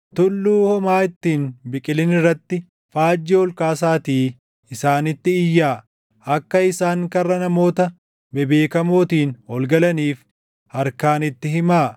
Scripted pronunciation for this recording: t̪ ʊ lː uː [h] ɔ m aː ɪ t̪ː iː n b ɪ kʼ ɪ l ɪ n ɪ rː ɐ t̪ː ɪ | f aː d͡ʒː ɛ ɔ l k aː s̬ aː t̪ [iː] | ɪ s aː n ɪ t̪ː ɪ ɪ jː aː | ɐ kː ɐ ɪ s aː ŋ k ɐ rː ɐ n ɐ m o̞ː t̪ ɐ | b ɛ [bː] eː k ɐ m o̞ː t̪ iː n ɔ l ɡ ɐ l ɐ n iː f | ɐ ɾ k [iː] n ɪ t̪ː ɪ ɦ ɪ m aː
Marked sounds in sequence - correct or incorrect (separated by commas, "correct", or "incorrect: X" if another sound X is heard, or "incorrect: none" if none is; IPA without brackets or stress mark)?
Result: correct, correct, incorrect: b, incorrect: aː